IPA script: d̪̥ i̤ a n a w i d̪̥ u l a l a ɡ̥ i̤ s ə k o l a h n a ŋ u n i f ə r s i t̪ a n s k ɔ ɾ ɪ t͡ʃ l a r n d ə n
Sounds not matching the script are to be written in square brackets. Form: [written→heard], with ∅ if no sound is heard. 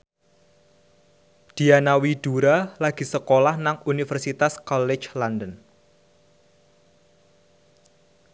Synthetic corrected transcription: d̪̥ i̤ a n a w i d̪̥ u [l→ɾ] a l a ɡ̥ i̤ s ə k o l a h n a ŋ u n i f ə r s i t̪ a [n→∅] s k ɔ [ɾ→l] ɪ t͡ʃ l a [r→∅] n d ə n